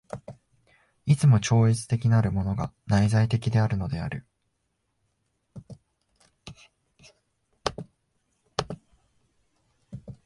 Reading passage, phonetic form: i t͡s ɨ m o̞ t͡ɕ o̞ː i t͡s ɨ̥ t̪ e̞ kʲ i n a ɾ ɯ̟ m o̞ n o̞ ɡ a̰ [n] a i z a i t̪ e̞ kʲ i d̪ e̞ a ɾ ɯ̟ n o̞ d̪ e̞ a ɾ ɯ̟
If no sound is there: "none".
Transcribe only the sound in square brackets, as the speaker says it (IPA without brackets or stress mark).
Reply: n